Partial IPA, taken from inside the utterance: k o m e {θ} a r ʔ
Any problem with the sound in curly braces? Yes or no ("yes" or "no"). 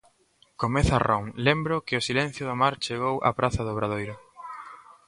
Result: no